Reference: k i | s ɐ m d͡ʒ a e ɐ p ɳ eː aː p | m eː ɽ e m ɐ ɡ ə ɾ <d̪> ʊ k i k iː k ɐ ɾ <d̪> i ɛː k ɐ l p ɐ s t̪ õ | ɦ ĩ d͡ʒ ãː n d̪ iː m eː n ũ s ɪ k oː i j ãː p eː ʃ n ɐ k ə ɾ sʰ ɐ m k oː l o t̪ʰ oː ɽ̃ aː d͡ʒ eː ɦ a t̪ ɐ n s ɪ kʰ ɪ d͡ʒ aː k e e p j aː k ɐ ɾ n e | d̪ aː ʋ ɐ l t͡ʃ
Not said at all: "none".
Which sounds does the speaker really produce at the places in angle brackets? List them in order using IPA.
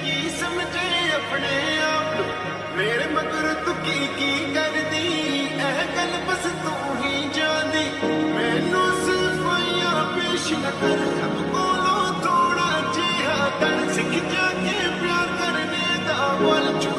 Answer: t̪, d̪

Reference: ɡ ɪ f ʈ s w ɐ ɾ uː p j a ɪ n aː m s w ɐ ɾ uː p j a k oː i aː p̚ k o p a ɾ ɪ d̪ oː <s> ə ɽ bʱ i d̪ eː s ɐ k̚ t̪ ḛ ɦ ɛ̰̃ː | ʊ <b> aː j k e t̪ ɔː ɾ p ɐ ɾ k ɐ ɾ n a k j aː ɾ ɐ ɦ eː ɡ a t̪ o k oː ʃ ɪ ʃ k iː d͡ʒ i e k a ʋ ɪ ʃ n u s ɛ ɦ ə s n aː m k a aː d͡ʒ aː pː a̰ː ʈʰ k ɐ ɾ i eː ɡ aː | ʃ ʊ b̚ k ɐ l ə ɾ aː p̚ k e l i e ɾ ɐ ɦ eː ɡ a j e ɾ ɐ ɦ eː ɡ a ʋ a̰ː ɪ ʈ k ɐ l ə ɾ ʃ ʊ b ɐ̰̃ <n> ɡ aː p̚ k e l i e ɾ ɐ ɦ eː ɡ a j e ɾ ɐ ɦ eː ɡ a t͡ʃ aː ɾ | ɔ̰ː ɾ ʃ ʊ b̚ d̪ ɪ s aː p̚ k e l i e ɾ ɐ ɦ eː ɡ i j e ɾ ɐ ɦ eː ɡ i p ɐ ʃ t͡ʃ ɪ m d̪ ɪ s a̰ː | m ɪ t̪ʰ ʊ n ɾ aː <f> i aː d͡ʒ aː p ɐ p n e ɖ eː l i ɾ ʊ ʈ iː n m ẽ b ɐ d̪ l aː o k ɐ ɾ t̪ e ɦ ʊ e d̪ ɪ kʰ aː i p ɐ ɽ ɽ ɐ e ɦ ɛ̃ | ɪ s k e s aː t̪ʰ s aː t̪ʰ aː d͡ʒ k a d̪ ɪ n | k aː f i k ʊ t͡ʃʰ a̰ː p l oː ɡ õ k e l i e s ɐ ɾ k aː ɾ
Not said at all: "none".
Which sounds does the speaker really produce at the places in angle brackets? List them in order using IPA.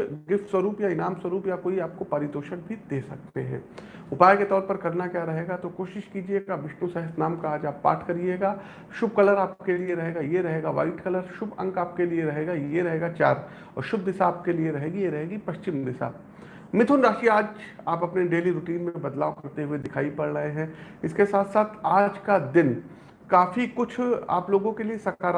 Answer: ʃ, p, ŋ, ʃ

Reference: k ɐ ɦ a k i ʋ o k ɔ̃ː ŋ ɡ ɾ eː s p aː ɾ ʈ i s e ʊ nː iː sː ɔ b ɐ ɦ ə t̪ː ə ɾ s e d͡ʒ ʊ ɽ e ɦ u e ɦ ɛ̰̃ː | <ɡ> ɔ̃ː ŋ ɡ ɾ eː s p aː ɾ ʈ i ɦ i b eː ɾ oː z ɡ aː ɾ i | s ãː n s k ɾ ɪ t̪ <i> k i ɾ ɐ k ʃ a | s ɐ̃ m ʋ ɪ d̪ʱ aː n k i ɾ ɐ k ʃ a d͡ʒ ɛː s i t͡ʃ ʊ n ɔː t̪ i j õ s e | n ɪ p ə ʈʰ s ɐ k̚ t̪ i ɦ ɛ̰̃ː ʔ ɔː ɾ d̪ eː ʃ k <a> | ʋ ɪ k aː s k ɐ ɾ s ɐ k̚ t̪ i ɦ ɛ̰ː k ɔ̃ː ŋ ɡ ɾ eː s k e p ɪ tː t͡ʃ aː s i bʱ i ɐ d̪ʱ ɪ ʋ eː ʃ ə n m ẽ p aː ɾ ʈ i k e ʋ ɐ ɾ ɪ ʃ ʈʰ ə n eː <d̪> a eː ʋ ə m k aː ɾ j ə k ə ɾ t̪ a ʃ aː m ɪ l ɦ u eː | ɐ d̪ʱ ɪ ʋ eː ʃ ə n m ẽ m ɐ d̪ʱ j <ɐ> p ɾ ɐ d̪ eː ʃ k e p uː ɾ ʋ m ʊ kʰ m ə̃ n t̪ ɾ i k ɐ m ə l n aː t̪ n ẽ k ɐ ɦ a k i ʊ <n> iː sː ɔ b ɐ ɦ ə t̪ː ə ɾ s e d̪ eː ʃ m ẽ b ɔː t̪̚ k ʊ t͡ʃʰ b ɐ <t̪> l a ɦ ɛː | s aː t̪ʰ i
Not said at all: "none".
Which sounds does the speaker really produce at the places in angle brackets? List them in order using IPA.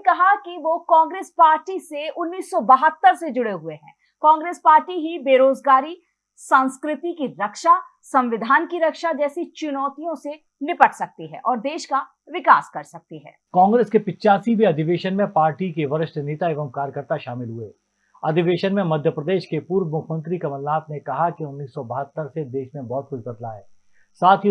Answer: k, i, a, t̪, ə, nː, d̪

